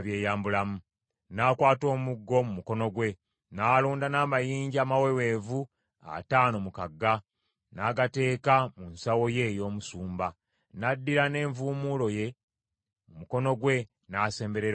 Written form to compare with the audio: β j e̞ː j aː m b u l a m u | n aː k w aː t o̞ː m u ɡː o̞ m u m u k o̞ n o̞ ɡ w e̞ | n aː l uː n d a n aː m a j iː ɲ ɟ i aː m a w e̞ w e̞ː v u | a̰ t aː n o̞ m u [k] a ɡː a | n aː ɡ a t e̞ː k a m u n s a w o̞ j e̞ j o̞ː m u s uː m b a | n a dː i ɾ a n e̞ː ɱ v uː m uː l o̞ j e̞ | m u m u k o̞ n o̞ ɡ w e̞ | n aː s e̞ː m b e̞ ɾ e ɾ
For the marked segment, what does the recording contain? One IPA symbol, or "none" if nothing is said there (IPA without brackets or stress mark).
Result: k